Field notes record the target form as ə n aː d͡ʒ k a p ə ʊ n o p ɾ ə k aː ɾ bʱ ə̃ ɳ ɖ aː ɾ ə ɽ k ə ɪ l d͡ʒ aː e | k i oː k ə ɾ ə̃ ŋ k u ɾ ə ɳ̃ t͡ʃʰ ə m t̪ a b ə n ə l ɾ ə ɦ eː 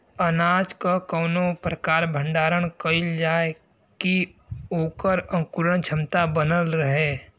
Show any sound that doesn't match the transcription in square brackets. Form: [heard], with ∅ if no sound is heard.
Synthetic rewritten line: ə n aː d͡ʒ k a [k] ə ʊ n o p ɾ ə k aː ɾ bʱ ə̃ ɳ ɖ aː ɾ ə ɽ k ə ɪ l d͡ʒ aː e | k i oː k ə ɾ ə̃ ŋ k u ɾ ə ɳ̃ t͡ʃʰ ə m t̪ a b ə n ə l ɾ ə ɦ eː